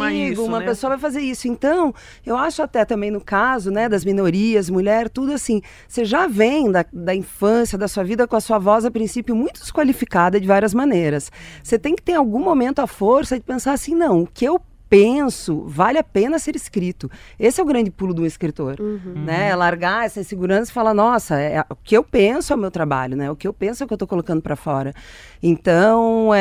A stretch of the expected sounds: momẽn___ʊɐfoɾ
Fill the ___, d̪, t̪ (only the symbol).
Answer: t̪